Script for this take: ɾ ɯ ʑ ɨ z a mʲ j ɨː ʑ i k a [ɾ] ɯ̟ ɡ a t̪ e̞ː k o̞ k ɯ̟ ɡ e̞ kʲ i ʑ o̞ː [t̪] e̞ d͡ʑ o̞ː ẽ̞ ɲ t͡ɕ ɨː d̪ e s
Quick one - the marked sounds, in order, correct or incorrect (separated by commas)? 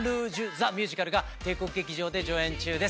correct, incorrect